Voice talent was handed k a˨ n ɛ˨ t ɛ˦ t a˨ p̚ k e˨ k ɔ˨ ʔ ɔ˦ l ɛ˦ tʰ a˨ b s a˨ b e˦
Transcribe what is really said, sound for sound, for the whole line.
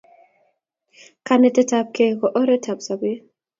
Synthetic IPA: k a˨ n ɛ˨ t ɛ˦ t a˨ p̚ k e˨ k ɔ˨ ʔ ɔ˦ ɾ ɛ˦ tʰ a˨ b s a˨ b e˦